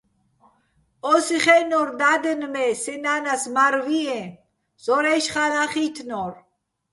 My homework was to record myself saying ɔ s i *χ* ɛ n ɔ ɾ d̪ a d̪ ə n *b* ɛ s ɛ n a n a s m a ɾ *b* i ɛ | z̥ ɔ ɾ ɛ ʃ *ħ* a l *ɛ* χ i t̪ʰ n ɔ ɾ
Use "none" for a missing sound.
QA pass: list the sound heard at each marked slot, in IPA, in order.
χ, m, v, χ, a

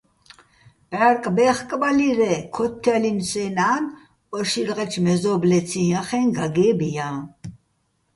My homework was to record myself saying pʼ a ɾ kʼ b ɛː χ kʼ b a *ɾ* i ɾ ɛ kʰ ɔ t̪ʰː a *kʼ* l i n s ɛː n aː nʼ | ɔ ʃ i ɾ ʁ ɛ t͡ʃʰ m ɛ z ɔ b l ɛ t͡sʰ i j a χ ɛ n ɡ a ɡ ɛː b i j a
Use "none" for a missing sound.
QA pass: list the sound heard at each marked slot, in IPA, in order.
l, none

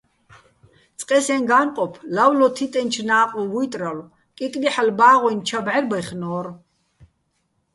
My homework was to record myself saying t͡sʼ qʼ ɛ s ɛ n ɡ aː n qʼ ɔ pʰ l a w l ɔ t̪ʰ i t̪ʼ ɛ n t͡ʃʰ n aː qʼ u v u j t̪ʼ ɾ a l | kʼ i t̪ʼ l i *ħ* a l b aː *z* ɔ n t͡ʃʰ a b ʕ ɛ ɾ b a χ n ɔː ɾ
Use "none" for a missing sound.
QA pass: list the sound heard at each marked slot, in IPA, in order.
ħ, ʁ

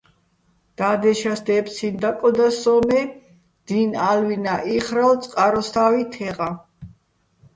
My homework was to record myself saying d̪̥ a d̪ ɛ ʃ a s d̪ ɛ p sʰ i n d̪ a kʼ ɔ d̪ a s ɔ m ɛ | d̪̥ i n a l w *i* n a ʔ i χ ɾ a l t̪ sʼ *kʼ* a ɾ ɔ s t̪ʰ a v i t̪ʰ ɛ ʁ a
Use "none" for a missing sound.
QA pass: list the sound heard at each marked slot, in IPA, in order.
i, qʼ

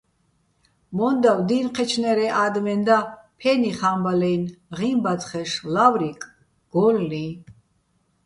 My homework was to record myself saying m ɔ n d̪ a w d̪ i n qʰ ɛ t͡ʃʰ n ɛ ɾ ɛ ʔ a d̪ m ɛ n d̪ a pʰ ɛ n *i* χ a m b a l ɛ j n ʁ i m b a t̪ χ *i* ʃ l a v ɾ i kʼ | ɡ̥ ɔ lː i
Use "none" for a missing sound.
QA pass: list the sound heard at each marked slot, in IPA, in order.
i, ɛ

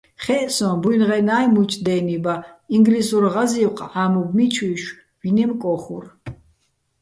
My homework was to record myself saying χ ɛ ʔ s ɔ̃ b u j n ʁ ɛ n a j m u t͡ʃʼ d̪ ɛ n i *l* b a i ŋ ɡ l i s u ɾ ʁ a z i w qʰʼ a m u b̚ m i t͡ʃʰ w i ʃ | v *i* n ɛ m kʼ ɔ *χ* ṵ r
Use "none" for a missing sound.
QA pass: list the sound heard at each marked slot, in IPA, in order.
none, i, χ

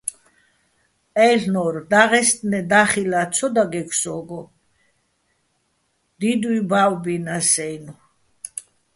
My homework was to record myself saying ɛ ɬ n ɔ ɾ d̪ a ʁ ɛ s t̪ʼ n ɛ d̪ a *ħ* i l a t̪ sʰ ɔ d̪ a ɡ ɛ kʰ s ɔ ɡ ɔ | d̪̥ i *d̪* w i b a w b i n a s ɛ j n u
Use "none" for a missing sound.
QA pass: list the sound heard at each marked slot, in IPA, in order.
χ, d̪

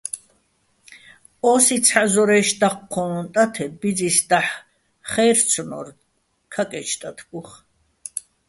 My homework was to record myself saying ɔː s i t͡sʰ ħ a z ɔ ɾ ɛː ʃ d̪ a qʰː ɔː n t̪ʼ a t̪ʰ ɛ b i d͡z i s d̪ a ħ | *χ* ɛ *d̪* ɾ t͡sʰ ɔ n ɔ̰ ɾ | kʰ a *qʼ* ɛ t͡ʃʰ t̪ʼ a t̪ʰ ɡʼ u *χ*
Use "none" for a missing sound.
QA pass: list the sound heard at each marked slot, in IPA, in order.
χ, none, kʼ, χ

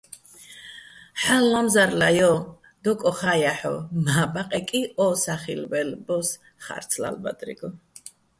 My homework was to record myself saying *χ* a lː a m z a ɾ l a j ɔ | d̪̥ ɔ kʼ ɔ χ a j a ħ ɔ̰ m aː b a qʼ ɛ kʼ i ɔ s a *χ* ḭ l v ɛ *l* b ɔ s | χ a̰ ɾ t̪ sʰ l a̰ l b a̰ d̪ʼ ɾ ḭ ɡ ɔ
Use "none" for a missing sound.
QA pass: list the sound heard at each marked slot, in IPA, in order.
ħ, χ, l

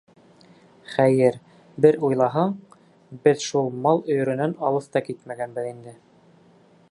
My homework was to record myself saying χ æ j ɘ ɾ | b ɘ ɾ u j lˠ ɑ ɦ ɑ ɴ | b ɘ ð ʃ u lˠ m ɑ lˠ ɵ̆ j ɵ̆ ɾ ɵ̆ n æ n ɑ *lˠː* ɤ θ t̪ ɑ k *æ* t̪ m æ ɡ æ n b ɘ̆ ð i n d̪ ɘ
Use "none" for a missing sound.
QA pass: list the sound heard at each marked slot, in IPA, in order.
lˠ, i

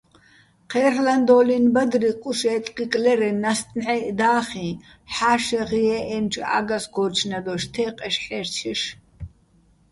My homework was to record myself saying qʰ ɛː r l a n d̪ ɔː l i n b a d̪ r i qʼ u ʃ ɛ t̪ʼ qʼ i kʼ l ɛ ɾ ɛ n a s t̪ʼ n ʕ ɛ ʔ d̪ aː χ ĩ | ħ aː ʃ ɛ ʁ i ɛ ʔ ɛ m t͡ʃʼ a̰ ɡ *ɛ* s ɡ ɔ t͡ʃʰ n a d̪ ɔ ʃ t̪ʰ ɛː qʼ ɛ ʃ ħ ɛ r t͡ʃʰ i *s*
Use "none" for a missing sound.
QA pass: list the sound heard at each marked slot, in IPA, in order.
a, ʃ

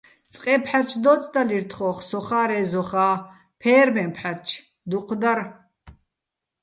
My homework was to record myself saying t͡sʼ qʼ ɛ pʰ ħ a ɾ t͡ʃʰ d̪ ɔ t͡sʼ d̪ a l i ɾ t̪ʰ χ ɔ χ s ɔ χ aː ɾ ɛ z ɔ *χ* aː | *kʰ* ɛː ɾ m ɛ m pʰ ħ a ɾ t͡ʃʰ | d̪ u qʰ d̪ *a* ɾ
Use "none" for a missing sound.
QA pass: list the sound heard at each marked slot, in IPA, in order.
χ, pʰ, a

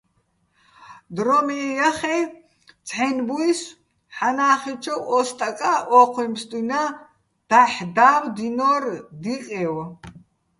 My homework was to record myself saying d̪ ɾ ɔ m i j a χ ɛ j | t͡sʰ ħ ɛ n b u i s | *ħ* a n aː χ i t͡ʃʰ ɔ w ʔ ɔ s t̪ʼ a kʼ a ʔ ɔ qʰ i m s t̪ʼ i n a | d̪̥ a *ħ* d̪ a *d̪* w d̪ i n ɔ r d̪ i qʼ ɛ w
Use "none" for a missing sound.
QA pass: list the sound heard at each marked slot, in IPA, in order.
ħ, ħ, none

